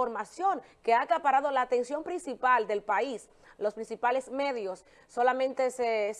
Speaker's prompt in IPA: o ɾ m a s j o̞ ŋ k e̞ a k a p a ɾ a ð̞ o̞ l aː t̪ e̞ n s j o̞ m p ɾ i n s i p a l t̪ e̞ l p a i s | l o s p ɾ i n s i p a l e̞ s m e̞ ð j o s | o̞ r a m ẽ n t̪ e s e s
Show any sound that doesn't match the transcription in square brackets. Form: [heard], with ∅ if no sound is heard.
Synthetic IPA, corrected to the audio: o ɾ m a s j o̞ ŋ k e̞ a k a p a ɾ a ð̞ o̞ l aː t̪ e̞ n s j o̞ m p ɾ i n s i p a l [d̪] e̞ l p a i s | l o s p ɾ i n s i p a l e̞ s m e̞ ð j o [sː] | o̞ [l] a m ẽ n t̪ e s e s

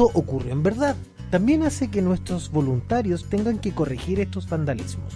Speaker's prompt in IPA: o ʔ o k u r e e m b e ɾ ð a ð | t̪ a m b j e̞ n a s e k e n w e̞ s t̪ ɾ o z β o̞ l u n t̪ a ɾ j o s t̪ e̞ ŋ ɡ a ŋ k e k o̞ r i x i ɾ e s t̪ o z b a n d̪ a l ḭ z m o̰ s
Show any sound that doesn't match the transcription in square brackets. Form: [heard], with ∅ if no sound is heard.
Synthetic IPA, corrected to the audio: o ʔ o k u r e e m b e ɾ ð a ð | t̪ a m b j e̞ n a s e k e n w e̞ s t̪ ɾ o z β o̞ l u n t̪ a ɾ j o s t̪ e̞ ŋ ɡ a ŋ k e k o̞ r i x i ɾ e s t̪ o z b a n d̪ a l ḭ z m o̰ s

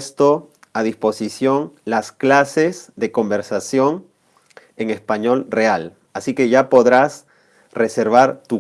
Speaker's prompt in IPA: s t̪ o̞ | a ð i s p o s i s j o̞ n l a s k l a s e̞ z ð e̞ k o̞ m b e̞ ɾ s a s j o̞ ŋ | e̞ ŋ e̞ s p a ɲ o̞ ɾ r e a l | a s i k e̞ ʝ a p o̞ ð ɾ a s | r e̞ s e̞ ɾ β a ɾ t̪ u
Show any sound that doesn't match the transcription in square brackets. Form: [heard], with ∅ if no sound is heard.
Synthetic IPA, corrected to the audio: s t̪ o̞ | a ð i s p o s i s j o̞ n l a s k l a s e̞ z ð e̞ k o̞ m b e̞ ɾ s a s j o̞ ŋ | e̞ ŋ e̞ s p a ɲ o̞ [l] r e a l | a s i k e̞ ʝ a p o̞ ð ɾ a s | r e̞ s e̞ ɾ β a ɾ t̪ u

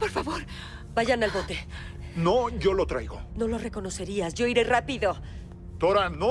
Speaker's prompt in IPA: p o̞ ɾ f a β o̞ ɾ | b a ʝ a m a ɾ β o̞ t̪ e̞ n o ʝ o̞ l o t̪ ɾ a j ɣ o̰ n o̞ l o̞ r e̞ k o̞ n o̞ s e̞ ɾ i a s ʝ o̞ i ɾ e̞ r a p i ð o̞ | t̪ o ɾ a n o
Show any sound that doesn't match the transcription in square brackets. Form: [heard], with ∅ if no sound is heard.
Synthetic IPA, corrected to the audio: p o̞ ɾ f a β o̞ ɾ | b a ʝ a [n] a [l] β o̞ t̪ e̞ n o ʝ o̞ l o t̪ ɾ a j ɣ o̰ n o̞ l o̞ r e̞ k o̞ n o̞ s e̞ ɾ i a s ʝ o̞ i ɾ e̞ r a p i ð o̞ | t̪ o ɾ a n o

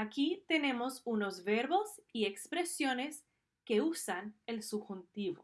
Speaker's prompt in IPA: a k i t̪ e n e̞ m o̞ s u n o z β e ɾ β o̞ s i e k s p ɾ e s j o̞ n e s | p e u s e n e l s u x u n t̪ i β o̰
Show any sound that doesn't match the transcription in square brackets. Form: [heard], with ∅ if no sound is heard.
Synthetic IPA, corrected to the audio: a k i t̪ e n e̞ m o̞ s u n o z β e ɾ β o̞ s i e k s p ɾ e s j o̞ n e s | [k] e u s [a] n e l s u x u n t̪ i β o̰

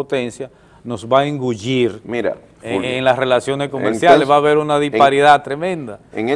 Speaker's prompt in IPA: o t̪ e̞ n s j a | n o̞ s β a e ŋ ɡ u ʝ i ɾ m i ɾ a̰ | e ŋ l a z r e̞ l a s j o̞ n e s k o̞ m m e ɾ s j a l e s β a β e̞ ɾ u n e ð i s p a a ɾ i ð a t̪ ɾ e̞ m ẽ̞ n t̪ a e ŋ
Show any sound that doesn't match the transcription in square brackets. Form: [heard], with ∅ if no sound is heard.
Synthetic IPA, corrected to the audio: o t̪ e̞ n s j a | n o̞ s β a e ŋ ɡ u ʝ i ɾ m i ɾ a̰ | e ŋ l a [s] r e̞ l a s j o̞ n e s k o̞ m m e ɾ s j a l e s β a β e̞ ɾ u n [a] ð i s p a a ɾ i ð a t̪ ɾ e̞ m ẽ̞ n [d̪] a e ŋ

